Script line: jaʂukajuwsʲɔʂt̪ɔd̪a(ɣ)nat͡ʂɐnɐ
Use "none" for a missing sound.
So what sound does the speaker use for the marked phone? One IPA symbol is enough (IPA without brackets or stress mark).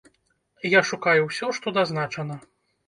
z